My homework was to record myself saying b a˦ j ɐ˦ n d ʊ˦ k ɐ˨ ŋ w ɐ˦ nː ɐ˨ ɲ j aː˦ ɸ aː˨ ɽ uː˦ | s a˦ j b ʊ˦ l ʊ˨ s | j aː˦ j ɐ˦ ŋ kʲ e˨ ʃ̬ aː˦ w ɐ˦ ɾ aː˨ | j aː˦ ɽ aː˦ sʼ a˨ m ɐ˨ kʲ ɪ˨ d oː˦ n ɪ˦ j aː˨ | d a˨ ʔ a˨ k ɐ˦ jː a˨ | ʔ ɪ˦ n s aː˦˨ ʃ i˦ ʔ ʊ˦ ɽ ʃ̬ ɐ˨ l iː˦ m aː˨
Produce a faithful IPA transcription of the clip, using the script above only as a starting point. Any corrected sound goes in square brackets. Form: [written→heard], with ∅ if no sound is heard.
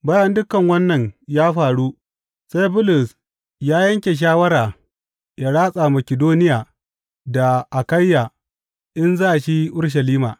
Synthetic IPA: b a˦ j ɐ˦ n d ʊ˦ k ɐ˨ ŋ w ɐ˦ nː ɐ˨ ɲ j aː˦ ɸ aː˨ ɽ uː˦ | s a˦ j b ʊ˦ l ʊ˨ s | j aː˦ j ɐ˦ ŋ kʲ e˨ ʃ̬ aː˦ w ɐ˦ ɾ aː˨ | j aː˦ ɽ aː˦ sʼ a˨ m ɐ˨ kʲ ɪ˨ d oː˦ n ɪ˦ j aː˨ | d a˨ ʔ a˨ k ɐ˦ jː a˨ | ʔ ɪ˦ n [s→z] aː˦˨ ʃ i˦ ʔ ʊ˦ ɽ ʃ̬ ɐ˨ l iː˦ m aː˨